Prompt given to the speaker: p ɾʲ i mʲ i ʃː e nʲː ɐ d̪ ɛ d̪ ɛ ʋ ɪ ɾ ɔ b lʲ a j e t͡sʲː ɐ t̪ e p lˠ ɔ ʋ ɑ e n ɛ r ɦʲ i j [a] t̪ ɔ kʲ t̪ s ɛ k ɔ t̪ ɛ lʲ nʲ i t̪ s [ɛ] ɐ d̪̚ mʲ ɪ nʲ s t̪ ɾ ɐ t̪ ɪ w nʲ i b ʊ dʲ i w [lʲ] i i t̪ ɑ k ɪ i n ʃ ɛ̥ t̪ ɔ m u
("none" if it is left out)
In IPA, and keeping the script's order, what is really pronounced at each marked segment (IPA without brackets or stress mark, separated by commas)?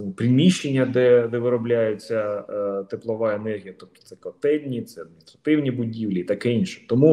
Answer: ɐ, ɛ, lʲ